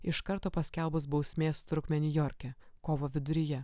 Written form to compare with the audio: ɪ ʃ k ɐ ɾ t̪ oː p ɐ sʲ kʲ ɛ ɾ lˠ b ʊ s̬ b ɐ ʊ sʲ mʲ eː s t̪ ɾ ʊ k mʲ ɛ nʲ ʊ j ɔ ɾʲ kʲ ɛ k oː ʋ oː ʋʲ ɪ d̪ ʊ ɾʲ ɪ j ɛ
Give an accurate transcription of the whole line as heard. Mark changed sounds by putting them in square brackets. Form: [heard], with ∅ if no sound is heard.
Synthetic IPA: ɪ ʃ k ɐ ɾ t̪ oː p ɐ sʲ kʲ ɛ [∅] lˠ b ʊ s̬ b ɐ ʊ sʲ mʲ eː s t̪ ɾ ʊ k mʲ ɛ nʲ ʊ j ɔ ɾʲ kʲ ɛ k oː ʋ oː ʋʲ ɪ d̪ ʊ ɾʲ ɪ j ɛ